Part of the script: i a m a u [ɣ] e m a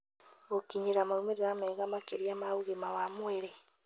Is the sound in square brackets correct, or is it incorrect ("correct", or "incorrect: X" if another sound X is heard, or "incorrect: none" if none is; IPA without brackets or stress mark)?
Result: correct